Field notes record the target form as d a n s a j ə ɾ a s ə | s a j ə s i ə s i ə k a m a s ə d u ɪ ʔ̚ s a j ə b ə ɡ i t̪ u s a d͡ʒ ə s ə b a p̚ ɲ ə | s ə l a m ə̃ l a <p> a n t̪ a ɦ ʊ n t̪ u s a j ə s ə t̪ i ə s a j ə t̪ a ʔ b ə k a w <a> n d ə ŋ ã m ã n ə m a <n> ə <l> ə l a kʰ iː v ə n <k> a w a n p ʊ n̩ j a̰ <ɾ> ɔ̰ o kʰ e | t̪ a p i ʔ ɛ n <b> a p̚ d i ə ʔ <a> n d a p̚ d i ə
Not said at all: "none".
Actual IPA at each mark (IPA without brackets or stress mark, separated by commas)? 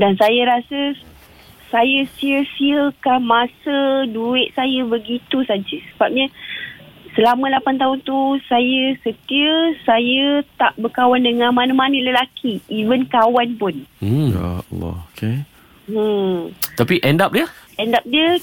p, a, n, l, k, l, d, ɛ